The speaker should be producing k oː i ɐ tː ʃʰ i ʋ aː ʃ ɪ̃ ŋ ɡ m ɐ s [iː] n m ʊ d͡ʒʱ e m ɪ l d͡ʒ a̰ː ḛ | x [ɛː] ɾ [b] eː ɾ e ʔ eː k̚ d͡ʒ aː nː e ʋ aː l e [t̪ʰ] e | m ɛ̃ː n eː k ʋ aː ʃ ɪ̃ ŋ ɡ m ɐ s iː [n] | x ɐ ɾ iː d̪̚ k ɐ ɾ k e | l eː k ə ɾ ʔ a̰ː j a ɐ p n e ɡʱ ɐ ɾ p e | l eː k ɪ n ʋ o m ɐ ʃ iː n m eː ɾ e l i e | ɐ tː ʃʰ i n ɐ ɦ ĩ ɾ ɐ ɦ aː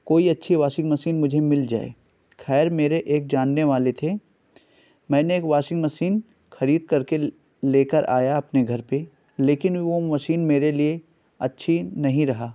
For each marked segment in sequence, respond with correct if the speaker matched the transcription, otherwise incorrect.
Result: correct, correct, incorrect: m, correct, correct

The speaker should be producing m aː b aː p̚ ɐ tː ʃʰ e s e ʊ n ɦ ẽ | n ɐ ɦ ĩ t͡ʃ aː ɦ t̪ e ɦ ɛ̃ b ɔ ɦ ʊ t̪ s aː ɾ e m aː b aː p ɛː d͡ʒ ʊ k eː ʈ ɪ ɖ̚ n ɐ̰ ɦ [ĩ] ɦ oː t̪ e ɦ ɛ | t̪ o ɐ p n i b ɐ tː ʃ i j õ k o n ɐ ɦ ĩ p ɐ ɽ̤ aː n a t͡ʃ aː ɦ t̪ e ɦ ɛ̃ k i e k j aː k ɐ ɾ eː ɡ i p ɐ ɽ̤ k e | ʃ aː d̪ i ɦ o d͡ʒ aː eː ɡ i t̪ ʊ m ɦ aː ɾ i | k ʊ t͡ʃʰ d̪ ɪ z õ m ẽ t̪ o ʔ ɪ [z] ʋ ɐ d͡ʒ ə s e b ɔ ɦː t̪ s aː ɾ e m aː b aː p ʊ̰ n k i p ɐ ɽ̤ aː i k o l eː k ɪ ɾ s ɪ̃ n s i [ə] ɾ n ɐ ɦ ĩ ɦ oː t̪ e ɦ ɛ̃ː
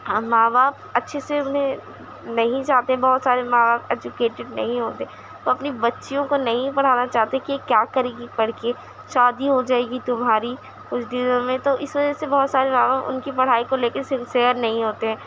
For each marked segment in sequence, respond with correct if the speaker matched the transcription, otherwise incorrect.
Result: correct, incorrect: s, correct

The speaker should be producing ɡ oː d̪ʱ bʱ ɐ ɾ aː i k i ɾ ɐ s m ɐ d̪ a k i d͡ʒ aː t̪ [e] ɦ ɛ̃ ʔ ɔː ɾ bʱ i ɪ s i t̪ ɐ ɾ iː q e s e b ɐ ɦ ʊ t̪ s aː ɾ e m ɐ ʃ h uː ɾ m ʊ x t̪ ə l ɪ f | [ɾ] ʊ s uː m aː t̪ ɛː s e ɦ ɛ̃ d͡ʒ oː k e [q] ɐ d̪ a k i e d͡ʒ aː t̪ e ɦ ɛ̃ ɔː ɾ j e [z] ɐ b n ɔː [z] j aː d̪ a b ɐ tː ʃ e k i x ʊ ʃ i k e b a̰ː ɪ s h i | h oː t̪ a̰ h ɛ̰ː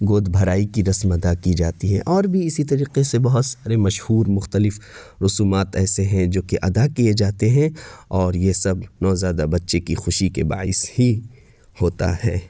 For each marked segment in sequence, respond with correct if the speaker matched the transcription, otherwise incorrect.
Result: incorrect: i, correct, incorrect: ʔ, incorrect: s, correct

